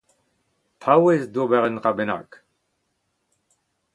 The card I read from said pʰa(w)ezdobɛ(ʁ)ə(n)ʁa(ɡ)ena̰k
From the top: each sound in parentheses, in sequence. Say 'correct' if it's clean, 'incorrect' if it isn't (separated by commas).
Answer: correct, correct, correct, incorrect